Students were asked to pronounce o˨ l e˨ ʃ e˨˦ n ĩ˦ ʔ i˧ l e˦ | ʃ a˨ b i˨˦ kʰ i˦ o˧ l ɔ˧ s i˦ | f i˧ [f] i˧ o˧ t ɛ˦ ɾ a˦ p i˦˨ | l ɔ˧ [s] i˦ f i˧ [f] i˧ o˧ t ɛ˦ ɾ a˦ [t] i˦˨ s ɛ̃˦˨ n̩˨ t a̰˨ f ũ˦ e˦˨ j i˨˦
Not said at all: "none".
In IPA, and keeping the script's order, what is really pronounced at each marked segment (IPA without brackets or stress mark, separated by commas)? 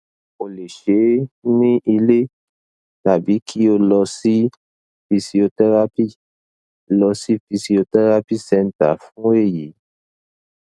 s, s, s, p